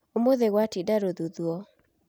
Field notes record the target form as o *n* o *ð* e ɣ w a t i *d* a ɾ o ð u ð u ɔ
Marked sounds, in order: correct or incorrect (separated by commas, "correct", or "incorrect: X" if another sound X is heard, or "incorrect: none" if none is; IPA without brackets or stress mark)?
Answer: incorrect: m, correct, correct